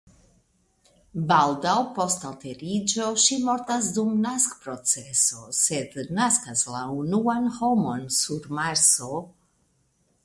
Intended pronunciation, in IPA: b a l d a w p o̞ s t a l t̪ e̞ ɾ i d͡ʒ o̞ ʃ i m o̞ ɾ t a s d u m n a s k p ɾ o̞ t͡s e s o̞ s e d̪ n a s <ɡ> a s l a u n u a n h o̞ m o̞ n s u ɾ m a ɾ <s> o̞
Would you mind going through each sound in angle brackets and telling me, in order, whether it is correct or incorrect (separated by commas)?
incorrect, correct